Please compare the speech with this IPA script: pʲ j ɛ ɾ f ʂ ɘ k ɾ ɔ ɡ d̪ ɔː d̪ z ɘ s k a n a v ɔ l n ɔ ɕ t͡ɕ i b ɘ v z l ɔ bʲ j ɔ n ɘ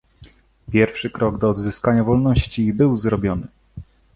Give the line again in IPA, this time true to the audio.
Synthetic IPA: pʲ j ɛ ɾ f ʂ ɘ k ɾ ɔ ɡ d̪ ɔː d̪ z ɘ s k a ɲ a v ɔ l n ɔ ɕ t͡ɕ i b ɘ w z ɾ ɔ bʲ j ɔ n ɘ